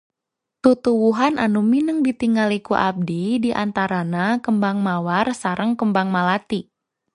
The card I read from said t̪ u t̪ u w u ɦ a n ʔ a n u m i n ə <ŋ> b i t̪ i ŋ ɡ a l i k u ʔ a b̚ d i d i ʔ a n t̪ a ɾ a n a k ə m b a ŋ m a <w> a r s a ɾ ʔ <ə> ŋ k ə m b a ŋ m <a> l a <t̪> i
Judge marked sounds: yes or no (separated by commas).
yes, yes, yes, yes, yes